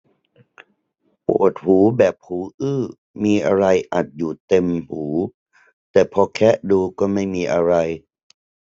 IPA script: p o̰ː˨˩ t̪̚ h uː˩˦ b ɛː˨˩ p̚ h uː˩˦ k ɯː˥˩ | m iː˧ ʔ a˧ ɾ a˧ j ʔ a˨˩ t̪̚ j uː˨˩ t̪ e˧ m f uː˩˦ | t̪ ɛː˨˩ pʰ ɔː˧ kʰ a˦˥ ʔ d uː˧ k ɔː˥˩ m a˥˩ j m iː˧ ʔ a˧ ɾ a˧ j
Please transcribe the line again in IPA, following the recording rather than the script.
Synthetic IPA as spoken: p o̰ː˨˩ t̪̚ h uː˩˦ b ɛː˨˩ p̚ h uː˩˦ ʔ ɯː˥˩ | m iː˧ ʔ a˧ ɾ a˧ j ʔ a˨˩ t̪̚ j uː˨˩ t̪ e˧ m h uː˩˦ | t̪ ɛː˨˩ pʰ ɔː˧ kʰ ɛ˦˥ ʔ d uː˧ k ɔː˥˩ m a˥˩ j m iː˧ ʔ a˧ ɾ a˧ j

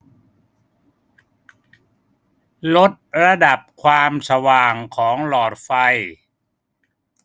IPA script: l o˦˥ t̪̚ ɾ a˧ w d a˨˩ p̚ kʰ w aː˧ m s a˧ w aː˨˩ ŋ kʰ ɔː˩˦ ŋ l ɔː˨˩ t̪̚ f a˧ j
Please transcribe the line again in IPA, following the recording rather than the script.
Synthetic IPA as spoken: l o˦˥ t̪̚ ɾ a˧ d a˨˩ p̚ kʰ w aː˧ m s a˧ w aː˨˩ ŋ kʰ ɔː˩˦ ŋ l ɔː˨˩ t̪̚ f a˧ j

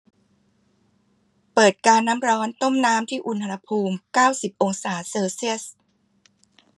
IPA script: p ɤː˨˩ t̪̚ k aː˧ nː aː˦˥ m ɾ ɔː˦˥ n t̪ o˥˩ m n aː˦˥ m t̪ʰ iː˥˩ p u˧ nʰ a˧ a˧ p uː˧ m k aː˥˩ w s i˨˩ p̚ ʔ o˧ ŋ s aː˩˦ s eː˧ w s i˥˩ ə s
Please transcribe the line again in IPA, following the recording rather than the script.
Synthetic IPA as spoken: p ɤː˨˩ t̪̚ k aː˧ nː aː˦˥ m ɾ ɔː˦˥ n t̪ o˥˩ m n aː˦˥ m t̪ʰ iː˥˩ ʔ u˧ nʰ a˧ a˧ pʰ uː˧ m k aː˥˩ w s i˨˩ p̚ ʔ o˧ ŋ s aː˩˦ s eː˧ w s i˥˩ ə s

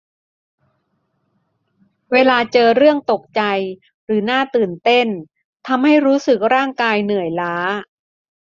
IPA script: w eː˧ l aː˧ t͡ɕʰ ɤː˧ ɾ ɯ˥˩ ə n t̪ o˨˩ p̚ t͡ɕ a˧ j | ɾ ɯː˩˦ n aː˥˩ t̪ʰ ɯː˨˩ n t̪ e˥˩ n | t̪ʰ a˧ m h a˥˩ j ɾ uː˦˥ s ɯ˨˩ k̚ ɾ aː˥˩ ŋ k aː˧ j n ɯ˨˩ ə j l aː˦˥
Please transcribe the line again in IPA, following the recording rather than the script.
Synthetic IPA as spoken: w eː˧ l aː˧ t͡ɕ ɤː˧ ɾ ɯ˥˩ ə ŋ t̪ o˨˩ k̚ t͡ɕ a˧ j | ɾ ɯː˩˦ n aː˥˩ t̪ ɯː˨˩ n t̪ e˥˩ n | t̪ʰ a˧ m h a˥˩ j ɾ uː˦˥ s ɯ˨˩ k̚ ɾ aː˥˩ ŋ k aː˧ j n ɯ˨˩ ə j l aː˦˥

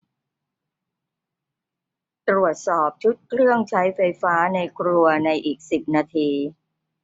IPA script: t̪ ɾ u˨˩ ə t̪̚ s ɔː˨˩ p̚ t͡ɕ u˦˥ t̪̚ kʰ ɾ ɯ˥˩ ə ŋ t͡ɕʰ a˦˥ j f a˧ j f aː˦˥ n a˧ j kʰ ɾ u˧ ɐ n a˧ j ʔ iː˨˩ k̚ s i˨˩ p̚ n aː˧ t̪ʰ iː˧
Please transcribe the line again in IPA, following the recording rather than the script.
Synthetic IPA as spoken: t̪ ɾ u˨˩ ə t̪̚ s ɔː˨˩ p̚ t͡ɕʰ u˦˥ t̪̚ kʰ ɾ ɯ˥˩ ə ŋ t͡ɕʰ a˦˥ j f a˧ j f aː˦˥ n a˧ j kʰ ɾ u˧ ɐ n a˧ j ʔ iː˨˩ k̚ s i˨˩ p̚ n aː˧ t̪ʰ iː˧

